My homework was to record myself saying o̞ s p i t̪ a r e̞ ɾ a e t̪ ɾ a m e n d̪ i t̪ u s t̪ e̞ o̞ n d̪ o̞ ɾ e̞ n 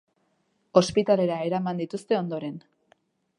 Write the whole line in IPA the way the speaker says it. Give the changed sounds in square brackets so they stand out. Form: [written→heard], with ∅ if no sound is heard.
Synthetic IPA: o̞ s p i t̪ a [r→l] e̞ ɾ a e [t̪→∅] ɾ a m [e→a] n d̪ i t̪ u s t̪ e̞ o̞ n d̪ o̞ ɾ e̞ n